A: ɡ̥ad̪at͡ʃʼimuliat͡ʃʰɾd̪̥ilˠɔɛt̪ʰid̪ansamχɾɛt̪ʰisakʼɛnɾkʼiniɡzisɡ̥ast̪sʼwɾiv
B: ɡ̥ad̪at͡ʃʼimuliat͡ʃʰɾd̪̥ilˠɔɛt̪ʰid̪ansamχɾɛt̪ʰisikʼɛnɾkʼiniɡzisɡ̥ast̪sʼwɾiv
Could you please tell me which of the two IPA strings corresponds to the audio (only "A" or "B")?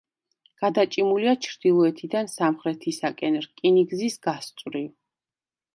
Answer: A